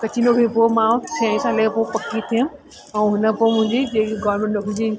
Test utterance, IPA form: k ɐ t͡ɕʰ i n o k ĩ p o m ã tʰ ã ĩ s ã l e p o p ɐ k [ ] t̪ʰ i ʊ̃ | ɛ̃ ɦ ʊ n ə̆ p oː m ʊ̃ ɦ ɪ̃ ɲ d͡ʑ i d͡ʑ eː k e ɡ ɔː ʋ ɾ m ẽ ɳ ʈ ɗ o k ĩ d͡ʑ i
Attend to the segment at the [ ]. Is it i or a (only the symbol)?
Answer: i